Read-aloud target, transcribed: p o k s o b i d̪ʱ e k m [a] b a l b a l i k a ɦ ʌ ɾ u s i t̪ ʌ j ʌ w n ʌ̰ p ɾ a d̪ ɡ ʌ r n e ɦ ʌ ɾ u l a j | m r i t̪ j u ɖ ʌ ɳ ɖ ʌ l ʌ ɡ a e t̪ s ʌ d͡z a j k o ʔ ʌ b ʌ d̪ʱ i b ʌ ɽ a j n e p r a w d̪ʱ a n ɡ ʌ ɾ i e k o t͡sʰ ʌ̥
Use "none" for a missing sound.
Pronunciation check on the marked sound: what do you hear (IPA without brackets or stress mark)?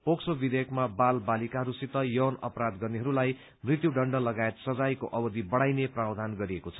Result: a